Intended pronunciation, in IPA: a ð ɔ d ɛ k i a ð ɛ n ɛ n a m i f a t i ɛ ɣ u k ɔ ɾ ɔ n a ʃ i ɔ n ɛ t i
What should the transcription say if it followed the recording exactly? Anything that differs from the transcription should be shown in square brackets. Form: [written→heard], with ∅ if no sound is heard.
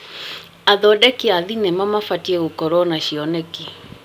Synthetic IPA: a ð ɔ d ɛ k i a ð [ɛ→i] n ɛ [n→m] a m [i→a] f a t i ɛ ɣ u k ɔ ɾ ɔ n a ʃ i ɔ n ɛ [t→k] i